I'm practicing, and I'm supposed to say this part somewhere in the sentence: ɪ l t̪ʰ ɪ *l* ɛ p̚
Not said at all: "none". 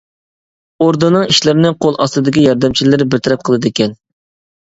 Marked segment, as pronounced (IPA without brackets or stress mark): ɾ